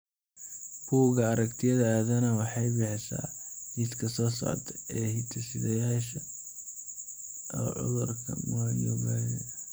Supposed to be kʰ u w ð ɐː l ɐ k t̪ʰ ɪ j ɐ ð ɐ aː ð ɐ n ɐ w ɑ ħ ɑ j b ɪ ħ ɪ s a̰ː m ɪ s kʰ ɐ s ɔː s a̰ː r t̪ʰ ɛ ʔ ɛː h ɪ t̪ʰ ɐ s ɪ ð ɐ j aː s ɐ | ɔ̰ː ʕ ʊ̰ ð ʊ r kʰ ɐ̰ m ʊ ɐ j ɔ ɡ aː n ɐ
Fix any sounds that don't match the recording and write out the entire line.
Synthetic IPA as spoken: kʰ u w ɣ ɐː ɾ ɐ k t̪ʰ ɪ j ɐ ð ɐ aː ð ɐ n ɐ w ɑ ħ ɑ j b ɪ ħ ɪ s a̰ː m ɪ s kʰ ɐ s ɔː s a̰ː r t̪ʰ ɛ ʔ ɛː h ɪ t̪ʰ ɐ s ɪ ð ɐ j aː ʃ ɐ | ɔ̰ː ʕ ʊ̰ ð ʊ r kʰ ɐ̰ m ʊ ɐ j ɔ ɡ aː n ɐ

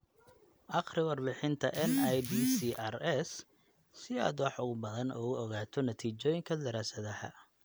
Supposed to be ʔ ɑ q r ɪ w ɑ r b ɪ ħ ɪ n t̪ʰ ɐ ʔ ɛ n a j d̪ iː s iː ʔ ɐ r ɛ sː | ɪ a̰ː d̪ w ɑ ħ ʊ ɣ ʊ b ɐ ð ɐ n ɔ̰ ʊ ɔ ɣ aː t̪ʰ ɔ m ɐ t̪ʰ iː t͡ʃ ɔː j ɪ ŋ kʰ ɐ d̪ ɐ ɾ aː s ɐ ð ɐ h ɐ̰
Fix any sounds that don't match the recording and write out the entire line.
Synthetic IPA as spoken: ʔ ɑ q r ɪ w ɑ r b ɪ ħ ɪ n t̪ʰ ɐ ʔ ɛ n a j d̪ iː s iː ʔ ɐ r ɛ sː | ɪ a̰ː d̪ w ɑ ħ ʊ ɣ ʊ b ɐ ð ɐ n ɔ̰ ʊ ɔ ɣ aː t̪ʰ ɔ n ɐ t̪ʰ iː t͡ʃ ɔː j ɪ ŋ kʰ ɐ d̪ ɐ ɾ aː s ɐ ð ɐ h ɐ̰

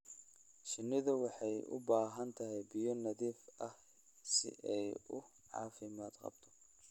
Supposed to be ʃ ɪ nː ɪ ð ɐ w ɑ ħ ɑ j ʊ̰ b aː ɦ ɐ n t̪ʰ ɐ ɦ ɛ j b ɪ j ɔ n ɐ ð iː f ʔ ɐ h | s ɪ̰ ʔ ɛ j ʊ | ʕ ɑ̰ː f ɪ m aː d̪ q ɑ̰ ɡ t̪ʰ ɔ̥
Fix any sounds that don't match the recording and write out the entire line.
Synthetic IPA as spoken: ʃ ɪ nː ɪ ð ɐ w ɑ ħ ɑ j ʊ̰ b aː ɦ ɐ n t̪ʰ ɐ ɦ ɛ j b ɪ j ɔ n ɐ ð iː f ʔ ɐ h | s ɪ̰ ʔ ɛ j ʊ | ʕ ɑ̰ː f ɪ m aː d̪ q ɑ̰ b t̪ʰ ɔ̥

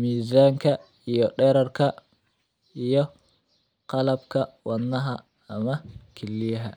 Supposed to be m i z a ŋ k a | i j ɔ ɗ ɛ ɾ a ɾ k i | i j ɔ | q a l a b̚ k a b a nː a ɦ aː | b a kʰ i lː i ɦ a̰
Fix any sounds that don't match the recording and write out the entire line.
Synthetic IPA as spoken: m i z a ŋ k a | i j ɔ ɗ ɛ ɾ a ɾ k a | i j ɔ | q a l a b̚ k a w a nː a ɦ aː | m a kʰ i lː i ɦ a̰

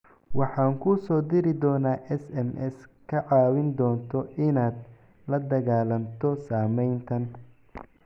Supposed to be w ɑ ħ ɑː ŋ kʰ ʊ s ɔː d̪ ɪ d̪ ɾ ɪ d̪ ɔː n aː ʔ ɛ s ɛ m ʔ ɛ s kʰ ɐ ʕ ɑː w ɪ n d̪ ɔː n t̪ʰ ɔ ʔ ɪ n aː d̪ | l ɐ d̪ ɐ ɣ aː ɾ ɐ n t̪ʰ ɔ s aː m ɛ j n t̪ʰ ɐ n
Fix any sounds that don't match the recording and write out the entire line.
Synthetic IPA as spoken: w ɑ ħ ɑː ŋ kʰ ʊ s ɔː d̪ ɪ ɾ ɪ d̪ ɔː n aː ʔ ɛ s ɛ m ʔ ɛ s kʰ ɐ ʕ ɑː w ɪ n d̪ ɔː n t̪ʰ ɔ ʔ ɪ n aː d̪ | l ɐ d̪ ɐ ɣ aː l ɐ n t̪ʰ ɔ s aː m ɛ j n t̪ʰ ɐ n

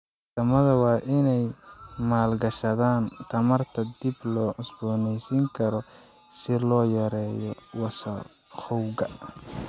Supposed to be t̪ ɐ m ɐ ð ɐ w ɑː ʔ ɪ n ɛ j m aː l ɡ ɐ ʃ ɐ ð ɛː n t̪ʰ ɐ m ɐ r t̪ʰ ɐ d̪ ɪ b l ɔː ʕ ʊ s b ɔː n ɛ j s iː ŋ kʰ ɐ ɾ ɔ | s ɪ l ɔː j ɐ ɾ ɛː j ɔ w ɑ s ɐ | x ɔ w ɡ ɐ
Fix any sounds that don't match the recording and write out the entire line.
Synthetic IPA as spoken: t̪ ɐ m ɐ ð ɐ w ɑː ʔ ɪ n ɛ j m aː l ɡ ɐ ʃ ɐ ð aː n t̪ʰ ɐ m ɐ r t̪ʰ ɐ d̪ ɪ b l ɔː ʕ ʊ s b ɔː n ɛ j s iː ŋ kʰ ɐ ɾ ɔ | s ɪ l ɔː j ɐ ɾ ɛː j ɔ w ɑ s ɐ | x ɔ w ɡ ɐ

